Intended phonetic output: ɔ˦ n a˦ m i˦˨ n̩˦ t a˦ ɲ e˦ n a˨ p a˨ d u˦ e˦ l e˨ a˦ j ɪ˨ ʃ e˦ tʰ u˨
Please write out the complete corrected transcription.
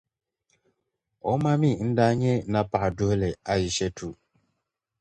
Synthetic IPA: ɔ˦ m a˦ m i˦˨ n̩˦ d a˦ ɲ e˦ n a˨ p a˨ d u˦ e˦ l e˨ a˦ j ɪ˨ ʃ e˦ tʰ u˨